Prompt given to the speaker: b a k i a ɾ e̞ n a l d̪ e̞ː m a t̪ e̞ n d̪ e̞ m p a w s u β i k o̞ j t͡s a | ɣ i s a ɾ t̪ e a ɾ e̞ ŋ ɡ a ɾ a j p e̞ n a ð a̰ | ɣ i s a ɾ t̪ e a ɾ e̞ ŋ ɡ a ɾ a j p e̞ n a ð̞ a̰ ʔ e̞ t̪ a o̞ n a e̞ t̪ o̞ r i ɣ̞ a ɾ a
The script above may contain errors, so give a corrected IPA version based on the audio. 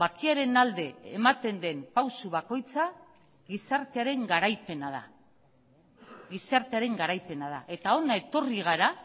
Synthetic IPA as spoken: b a k i a ɾ e̞ n a l d̪ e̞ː m a t̪ e̞ n d̪ e̞ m p a w s u β a k o̞ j t͡s a | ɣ i s a ɾ t̪ e a ɾ e̞ ŋ ɡ a ɾ a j p e̞ n a ð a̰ | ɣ i s a ɾ t̪ e a ɾ e̞ ŋ ɡ a ɾ a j p e̞ n a ð̞ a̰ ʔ e̞ t̪ a o̞ n a e̞ t̪ o̞ r i ɣ̞ a ɾ a